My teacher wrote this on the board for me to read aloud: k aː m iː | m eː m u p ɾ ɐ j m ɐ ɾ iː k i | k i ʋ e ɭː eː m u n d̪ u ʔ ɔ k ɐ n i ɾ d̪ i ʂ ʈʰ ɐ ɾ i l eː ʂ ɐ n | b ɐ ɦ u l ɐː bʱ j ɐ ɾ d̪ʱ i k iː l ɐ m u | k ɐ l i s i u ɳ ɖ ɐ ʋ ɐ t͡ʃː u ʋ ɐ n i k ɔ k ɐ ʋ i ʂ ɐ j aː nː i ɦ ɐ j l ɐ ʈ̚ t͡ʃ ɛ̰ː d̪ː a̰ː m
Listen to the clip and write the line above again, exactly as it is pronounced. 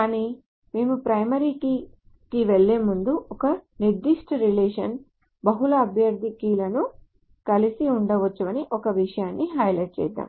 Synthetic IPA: k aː n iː | m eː m u p ɾ ɐ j m ɐ ɾ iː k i | k i ʋ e ɭː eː m u n d̪ u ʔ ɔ k ɐ n i ɾ d̪ i ʂ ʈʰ ɐ ɾ i l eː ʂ ɐ n | b ɐ ɦ u l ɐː bʱ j ɐ ɾ d̪ʱ i k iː l ɐ n u | k ɐ l i s i u ɳ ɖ ɐ ʋ ɐ t͡ʃː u ʋ ɐ n i ʔ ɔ k ɐ ʋ i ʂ ɐ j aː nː i ɦ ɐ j l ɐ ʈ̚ t͡ʃ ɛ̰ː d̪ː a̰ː m